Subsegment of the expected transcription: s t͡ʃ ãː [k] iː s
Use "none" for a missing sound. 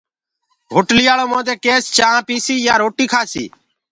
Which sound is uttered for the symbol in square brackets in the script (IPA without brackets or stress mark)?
p